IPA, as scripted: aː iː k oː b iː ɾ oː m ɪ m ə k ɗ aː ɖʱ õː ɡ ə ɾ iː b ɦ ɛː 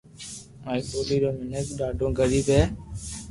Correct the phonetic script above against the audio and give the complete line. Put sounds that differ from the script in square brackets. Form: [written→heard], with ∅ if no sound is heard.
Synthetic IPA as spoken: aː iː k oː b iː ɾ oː m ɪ [m→n] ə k ɗ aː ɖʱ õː ɡ ə ɾ iː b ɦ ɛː